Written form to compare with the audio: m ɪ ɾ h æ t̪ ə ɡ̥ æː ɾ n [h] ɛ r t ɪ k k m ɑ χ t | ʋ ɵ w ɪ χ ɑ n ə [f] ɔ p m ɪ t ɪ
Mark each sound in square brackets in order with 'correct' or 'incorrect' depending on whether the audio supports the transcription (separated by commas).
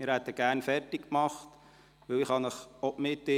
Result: incorrect, incorrect